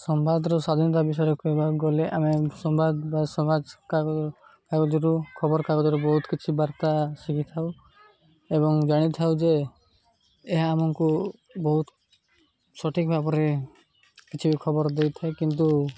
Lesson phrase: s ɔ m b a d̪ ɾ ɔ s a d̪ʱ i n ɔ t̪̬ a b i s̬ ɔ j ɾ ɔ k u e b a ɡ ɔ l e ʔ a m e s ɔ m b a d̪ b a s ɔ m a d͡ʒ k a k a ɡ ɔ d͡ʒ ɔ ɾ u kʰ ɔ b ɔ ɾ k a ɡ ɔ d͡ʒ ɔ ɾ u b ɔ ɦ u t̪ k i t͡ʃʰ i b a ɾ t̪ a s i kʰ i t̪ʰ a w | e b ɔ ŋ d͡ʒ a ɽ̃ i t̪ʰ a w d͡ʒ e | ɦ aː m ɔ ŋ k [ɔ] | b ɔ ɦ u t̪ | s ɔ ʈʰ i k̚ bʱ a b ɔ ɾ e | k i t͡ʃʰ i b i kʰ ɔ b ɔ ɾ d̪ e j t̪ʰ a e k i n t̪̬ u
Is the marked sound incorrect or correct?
incorrect